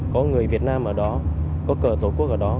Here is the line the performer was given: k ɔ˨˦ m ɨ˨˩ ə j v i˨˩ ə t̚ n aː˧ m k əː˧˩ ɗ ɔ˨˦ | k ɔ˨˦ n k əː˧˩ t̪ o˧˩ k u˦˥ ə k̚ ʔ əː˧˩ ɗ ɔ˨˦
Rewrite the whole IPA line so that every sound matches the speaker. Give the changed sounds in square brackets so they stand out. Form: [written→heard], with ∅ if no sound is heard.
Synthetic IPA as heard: k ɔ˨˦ [m→ŋ] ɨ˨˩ ə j v i˨˩ ə t̚ n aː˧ m [k→ʔ] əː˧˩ ɗ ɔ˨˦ | k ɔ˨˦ [n→∅] k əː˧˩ t̪ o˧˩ k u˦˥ ə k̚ ʔ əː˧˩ ɗ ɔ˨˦

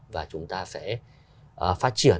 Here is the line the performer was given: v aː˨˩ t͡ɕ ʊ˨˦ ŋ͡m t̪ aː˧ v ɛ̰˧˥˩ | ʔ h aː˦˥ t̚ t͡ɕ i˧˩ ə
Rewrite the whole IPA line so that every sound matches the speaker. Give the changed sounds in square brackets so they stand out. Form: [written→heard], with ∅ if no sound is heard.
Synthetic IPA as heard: v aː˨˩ t͡ɕ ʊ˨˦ ŋ͡m t̪ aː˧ [v→f] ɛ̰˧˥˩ | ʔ [h→f] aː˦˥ t̚ t͡ɕ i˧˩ ə

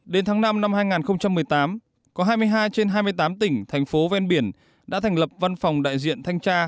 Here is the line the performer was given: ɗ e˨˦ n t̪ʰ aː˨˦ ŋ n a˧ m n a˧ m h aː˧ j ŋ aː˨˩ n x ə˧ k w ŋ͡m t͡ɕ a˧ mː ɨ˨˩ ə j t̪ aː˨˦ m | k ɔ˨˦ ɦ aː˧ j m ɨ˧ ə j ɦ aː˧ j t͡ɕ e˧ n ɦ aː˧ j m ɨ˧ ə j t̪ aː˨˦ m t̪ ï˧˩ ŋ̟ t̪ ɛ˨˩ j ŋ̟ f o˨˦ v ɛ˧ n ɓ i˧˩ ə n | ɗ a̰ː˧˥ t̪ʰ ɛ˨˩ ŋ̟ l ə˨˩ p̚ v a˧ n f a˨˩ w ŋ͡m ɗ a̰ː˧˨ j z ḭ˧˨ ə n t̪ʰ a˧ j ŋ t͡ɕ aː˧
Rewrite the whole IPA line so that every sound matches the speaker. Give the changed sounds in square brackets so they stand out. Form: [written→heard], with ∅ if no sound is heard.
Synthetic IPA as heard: ɗ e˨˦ n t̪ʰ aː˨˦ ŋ n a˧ m n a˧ m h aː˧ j ŋ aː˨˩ n x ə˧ [k→∅] w ŋ͡m t͡ɕ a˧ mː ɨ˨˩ ə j t̪ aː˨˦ m | k ɔ˨˦ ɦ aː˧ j m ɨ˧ ə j ɦ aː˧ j t͡ɕ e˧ n ɦ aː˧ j m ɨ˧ ə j t̪ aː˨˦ m t̪ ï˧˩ ŋ̟ [t̪→t̪ʰ] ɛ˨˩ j ŋ̟ f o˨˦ v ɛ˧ n ɓ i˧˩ ə n | ɗ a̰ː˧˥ t̪ʰ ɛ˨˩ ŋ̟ l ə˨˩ p̚ v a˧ n f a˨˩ w ŋ͡m ɗ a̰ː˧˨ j z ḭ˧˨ ə n t̪ʰ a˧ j ŋ t͡ɕ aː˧

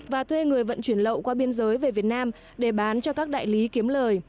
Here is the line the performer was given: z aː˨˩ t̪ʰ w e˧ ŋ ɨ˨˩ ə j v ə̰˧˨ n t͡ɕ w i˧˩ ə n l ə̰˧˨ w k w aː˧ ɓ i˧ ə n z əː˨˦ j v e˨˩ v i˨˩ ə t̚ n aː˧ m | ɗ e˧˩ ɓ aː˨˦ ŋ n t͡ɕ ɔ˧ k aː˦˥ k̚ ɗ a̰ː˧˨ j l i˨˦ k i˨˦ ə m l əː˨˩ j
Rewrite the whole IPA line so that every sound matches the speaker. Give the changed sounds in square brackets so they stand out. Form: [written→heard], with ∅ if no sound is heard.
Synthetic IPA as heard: [z→v] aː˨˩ t̪ʰ w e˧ ŋ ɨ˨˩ ə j v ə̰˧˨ n t͡ɕ w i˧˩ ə n l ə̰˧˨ w k w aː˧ ɓ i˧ ə n z əː˨˦ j v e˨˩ v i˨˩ ə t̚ n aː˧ m | ɗ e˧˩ ɓ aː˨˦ [ŋ→∅] n t͡ɕ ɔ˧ k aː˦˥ k̚ ɗ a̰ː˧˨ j l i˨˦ k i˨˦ ə m l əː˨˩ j

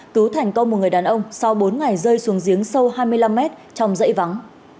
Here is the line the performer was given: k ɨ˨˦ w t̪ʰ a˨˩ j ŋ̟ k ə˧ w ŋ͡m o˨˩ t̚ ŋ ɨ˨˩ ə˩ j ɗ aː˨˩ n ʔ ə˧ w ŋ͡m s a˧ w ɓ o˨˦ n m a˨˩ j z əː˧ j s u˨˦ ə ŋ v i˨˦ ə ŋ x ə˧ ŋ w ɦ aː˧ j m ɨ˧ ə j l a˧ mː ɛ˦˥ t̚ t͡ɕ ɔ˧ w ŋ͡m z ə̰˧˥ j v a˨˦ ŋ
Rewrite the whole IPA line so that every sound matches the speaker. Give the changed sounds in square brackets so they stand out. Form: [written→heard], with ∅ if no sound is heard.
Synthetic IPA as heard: k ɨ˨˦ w t̪ʰ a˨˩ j ŋ̟ k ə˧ w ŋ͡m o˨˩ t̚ ŋ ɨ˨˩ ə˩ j ɗ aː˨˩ n ʔ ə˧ w ŋ͡m s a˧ w ɓ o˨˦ n [m→ŋ] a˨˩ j z əː˧ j s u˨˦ ə ŋ [v→z] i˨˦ ə ŋ [x→s] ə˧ [ŋ→∅] w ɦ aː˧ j m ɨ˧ ə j l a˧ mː ɛ˦˥ t̚ t͡ɕ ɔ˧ w ŋ͡m z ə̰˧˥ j v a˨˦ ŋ

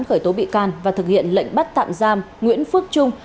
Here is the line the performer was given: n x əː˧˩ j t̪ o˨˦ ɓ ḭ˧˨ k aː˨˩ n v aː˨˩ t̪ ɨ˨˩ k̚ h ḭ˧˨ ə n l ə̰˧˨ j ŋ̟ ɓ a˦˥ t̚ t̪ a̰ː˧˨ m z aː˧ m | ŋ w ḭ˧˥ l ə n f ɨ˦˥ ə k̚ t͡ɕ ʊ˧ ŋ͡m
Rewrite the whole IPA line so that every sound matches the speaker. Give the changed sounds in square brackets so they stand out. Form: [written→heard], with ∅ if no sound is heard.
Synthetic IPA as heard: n x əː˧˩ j t̪ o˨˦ ɓ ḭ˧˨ k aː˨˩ n v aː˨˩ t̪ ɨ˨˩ k̚ h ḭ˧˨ ə n l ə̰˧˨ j ŋ̟ ɓ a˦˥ t̚ t̪ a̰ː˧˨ m z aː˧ m | ŋ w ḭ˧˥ [l→∅] ə n f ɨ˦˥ ə k̚ t͡ɕ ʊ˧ ŋ͡m

